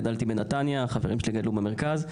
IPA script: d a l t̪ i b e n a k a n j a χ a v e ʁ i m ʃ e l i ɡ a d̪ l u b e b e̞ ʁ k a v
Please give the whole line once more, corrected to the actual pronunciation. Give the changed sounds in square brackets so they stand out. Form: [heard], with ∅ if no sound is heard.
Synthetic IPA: d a l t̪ i b e n a [t] a n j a χ a v e ʁ i m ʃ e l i ɡ a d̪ l u b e [m] e̞ ʁ k a [z]